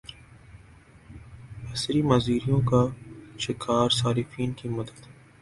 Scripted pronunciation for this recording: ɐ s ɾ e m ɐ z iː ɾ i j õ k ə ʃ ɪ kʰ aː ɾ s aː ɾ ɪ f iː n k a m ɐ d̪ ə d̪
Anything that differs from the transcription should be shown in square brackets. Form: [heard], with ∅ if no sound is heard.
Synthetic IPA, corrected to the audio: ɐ s ɾ [i] m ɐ z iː ɾ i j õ k [a] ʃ ɪ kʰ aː ɾ s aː ɾ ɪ f iː n k [i] m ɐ d̪ ə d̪

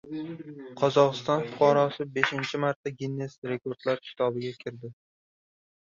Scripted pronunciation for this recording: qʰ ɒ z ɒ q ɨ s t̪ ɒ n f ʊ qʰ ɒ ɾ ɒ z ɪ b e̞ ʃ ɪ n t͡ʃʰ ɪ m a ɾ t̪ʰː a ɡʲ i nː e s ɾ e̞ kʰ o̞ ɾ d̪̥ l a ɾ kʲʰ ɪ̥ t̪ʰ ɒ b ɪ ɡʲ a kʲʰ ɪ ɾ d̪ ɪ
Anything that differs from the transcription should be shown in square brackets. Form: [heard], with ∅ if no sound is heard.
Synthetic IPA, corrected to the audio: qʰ ɒ z ɒ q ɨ s t̪ ɒ n f ʊ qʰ ɒ ɾ ɒ [s] ɪ b e̞ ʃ ɪ n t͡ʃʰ ɪ m a ɾ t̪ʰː a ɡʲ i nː e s ɾ e̞ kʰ o̞ ɾ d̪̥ l a ɾ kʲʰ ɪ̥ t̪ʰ ɒ b ɪ ɡʲ a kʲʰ ɪ ɾ d̪ ɪ

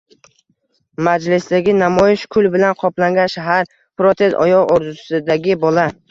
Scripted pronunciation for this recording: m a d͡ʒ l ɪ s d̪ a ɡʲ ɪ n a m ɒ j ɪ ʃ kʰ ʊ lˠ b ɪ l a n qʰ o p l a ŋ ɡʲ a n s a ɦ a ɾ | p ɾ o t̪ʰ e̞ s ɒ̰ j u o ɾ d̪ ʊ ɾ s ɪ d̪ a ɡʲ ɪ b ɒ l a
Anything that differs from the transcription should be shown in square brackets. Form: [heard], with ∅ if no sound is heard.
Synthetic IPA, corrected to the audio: m a d͡ʒ l ɪ s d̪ a ɡʲ ɪ n a m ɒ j ɪ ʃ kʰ ʊ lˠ b ɪ l a n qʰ [ɒ] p l a ŋ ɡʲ a n [ʃ] a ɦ a ɾ | p ɾ o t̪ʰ e̞ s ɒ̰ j [ɒ] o ɾ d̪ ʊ [∅] s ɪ d̪ a ɡʲ ɪ b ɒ l a

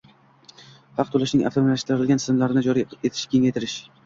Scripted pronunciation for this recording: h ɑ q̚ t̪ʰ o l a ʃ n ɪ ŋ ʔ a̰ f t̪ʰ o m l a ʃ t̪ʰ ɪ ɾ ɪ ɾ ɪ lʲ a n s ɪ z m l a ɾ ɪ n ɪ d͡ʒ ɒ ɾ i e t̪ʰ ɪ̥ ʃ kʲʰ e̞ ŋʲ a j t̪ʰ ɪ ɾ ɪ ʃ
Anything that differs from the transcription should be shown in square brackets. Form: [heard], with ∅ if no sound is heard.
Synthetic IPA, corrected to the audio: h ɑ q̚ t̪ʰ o l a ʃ n ɪ ŋ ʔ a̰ f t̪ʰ o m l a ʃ [t̪] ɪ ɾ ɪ ɾ ɪ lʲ a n s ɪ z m l a ɾ ɪ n ɪ d͡ʒ ɒ ɾ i e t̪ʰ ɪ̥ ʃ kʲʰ e̞ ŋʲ a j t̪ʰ ɪ ɾ ɪ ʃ

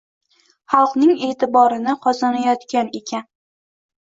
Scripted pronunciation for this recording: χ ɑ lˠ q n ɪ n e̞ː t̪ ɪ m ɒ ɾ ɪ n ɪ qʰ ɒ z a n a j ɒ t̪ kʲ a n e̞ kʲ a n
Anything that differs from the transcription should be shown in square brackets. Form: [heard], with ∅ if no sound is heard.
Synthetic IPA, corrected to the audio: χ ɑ lˠ q n ɪ [ŋ] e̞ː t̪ ɪ [b] ɒ ɾ ɪ n ɪ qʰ ɒ z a n a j ɒ t̪ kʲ a n e̞ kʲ a n

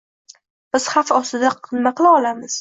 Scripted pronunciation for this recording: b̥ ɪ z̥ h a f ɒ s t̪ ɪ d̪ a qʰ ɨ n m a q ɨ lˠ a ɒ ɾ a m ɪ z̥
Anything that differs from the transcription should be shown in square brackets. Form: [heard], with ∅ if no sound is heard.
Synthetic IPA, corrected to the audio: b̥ ɪ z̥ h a f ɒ s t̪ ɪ d̪ a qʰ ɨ n m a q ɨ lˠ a ɒ [l] a m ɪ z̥

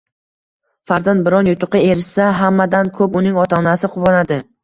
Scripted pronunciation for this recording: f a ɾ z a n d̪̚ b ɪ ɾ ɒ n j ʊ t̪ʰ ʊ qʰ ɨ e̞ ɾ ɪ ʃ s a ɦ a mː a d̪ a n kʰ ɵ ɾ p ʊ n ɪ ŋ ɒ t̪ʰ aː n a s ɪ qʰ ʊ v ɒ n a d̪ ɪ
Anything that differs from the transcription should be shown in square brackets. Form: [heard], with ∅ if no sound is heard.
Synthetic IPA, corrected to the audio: f a ɾ z a n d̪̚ b ɪ ɾ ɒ n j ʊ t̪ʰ ʊ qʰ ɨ e̞ ɾ ɪ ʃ s a ɦ a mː a d̪ a n kʰ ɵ [∅] p ʊ n ɪ ŋ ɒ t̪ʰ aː n a s ɪ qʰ ʊ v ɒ n a d̪ ɪ

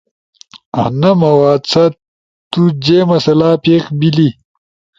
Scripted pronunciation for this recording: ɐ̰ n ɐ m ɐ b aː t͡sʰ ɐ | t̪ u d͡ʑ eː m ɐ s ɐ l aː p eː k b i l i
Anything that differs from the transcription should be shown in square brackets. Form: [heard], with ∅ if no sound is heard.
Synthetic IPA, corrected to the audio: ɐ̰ n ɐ m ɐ [w] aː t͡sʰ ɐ | t̪ u d͡ʑ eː m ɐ s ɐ l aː p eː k b i l i

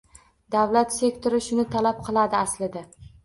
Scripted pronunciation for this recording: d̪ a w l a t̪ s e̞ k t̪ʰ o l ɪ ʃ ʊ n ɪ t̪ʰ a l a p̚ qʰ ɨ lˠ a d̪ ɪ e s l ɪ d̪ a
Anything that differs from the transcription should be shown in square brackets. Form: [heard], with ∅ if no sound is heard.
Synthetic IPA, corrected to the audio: d̪ a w l a t̪ s e̞ k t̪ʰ o [ɾ] ɪ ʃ ʊ n ɪ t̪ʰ a l a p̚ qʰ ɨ lˠ a d̪ ɪ [a] s l ɪ d̪ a

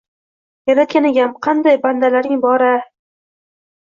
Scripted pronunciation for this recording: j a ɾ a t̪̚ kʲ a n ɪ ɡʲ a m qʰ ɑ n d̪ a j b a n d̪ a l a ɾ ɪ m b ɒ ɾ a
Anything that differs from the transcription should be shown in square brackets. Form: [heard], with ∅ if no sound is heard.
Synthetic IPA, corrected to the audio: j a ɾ a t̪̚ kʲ a n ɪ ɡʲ a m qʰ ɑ n d̪ a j b a n d̪ a l a ɾ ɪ [ŋ] b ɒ ɾ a

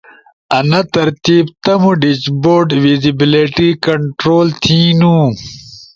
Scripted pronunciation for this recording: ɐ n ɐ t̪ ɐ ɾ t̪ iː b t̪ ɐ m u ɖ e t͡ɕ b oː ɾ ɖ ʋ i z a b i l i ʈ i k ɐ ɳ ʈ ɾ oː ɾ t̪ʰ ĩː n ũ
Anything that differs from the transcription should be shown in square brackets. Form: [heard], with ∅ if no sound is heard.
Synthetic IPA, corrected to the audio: ɐ n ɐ t̪ ɐ ɾ t̪ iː b t̪ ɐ m u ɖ [i] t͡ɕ b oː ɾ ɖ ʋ i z [i] b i l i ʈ i k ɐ ɳ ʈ ɾ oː [l] t̪ʰ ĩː n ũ

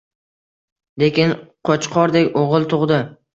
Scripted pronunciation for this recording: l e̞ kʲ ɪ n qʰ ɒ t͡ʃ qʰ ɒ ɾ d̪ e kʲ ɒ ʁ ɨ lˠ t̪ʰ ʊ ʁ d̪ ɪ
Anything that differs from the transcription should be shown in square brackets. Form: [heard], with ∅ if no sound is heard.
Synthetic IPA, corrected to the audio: l e̞ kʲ ɪ n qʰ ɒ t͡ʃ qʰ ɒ ɾ d̪ e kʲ [o] ʁ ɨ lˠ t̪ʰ ʊ ʁ d̪ ɪ

